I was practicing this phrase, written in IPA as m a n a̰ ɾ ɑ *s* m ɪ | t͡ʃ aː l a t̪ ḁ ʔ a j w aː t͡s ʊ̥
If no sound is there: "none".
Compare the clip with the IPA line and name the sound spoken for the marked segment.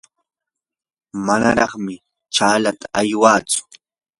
χ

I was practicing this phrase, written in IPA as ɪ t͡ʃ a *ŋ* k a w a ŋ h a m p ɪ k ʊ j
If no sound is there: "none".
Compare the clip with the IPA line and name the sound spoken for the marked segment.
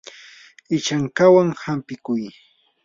ŋ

